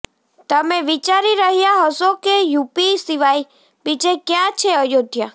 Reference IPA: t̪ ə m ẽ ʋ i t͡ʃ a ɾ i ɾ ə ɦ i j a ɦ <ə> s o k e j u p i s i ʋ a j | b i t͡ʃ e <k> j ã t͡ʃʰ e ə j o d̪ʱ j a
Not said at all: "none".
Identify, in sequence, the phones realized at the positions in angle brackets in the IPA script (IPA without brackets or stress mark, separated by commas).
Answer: ə, k